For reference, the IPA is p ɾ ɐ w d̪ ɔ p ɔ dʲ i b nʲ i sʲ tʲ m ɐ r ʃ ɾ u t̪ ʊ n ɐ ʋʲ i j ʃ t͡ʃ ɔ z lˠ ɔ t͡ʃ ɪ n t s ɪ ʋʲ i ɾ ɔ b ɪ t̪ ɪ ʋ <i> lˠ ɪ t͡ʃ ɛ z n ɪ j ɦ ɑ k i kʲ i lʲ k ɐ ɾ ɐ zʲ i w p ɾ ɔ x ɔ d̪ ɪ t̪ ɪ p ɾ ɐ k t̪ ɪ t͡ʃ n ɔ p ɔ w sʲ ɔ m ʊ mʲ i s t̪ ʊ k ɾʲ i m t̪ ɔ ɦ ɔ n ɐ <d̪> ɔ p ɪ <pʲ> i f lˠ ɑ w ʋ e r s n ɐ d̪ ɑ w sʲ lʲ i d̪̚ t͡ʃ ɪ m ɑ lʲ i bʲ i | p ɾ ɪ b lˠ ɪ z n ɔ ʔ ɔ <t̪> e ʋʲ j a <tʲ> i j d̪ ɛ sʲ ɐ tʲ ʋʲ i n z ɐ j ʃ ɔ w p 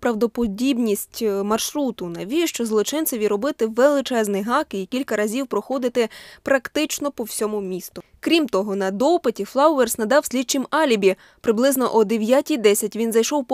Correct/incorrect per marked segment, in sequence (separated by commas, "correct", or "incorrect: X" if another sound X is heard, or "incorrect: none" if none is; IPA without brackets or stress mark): incorrect: e, correct, incorrect: tʲ, incorrect: d̪, correct